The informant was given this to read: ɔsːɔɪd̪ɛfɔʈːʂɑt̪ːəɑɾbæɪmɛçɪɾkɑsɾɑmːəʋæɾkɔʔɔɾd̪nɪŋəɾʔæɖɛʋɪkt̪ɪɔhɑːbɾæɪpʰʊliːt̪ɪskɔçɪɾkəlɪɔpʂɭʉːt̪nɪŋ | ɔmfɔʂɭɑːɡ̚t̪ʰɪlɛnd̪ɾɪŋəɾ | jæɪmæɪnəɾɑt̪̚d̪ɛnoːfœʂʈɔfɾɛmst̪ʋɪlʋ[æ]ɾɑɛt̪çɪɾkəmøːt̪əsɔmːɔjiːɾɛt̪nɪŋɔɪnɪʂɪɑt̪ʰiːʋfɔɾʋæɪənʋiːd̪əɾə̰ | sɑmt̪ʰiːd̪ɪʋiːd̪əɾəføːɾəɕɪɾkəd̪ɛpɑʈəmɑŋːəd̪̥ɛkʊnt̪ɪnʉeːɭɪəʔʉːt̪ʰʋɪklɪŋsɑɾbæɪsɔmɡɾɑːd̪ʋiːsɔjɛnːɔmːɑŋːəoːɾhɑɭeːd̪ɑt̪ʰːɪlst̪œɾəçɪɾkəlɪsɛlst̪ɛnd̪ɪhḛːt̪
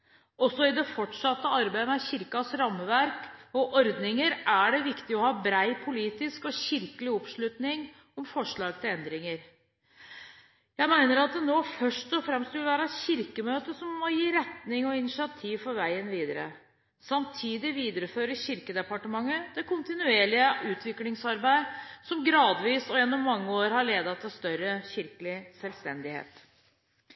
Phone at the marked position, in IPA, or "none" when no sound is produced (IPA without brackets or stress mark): æː